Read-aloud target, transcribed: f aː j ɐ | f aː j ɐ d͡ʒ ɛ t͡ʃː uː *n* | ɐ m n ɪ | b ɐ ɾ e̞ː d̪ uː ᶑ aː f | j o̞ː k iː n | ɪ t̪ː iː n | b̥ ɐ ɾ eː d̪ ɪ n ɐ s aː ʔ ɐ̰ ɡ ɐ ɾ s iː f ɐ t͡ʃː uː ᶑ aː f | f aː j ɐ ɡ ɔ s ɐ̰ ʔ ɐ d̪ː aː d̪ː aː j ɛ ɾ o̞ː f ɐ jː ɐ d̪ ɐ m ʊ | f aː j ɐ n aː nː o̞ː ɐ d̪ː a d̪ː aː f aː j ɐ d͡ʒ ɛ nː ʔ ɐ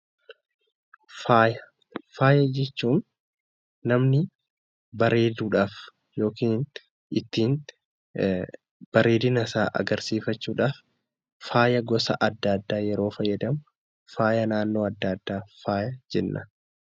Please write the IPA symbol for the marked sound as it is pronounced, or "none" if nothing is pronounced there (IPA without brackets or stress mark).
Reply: nː